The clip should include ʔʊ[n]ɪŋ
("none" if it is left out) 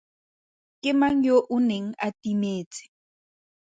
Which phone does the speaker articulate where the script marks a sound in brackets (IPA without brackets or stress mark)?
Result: n